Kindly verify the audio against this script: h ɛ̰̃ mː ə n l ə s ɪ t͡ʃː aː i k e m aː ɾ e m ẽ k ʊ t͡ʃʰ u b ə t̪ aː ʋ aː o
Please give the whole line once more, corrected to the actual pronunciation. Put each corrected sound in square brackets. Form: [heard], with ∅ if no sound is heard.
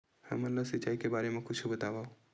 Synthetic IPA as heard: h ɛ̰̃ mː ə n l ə s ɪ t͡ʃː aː i k e [b] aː ɾ e m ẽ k ʊ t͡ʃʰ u b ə t̪ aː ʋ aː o